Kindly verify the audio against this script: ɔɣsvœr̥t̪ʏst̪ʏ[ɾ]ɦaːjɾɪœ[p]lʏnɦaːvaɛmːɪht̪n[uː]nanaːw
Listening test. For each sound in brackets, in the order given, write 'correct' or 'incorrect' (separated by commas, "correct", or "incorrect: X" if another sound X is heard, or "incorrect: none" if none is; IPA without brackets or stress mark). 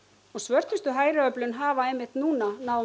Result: incorrect: none, correct, correct